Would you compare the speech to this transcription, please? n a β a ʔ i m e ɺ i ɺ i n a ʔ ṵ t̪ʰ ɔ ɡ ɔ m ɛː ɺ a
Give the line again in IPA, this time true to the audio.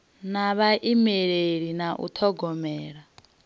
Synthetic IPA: n a β a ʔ i m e ɺ e ɺ i n a ʔ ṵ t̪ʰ ɔ ɡ ɔ m ɛː ɺ a